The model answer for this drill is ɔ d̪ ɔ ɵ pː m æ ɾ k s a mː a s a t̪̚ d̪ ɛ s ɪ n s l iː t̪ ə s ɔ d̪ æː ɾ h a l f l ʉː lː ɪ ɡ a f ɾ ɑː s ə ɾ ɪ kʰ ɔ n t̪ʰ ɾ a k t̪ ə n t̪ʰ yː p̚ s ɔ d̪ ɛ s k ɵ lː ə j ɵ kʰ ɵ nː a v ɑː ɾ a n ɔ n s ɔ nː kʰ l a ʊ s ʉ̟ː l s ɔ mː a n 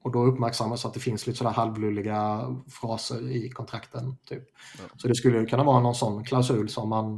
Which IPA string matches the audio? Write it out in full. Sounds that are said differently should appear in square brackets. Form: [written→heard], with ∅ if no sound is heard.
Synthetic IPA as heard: ɔ d̪ ɔ ɵ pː m æ ɾ k s a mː a s a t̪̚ d̪ ɛ [s→f] ɪ n s l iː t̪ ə s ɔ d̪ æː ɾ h a l [f→v] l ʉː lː ɪ ɡ a f ɾ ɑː s ə ɾ ɪ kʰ ɔ n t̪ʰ ɾ a k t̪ ə n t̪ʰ yː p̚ s ɔ d̪ ɛ s k ɵ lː ə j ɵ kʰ ɵ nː a v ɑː ɾ a n ɔ n s ɔ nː kʰ l a ʊ s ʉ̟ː l s ɔ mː a n